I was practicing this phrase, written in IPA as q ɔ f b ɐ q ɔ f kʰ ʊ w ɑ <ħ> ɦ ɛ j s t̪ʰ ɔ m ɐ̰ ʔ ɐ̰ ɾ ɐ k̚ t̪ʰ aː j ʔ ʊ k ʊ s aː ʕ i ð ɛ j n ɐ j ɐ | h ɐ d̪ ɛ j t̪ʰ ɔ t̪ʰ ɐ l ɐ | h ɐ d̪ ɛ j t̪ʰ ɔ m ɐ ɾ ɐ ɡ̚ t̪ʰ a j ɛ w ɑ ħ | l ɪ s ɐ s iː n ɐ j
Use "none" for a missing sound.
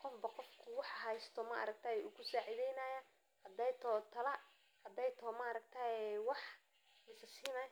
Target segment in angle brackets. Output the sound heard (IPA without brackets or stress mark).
ħ